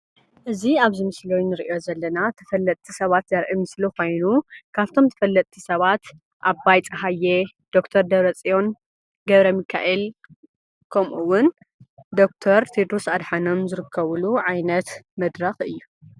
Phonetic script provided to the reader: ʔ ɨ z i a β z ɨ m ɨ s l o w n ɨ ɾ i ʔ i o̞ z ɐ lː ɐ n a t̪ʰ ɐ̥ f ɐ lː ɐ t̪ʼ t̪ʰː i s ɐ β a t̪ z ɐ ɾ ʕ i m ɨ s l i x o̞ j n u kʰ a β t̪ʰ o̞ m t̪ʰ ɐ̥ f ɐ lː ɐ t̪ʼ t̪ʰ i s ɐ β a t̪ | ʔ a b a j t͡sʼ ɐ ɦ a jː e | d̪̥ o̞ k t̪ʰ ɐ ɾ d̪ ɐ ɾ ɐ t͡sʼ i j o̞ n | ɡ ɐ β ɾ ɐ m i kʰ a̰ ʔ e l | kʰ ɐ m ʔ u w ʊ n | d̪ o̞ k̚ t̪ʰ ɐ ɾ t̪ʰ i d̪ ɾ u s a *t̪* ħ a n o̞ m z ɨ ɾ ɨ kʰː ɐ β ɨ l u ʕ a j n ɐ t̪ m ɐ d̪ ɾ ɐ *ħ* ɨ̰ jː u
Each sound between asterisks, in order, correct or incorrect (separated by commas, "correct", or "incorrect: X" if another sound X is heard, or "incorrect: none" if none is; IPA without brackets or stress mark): incorrect: d̪, incorrect: x